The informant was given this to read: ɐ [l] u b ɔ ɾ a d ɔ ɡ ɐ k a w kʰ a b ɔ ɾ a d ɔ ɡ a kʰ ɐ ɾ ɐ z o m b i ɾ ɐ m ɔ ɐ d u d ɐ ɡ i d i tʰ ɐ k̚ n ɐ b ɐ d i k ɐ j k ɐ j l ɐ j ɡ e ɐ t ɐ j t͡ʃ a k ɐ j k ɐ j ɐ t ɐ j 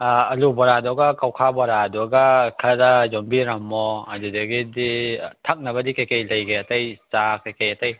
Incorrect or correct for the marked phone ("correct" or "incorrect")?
correct